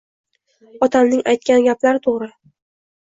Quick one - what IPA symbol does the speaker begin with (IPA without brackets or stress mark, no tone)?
ɒ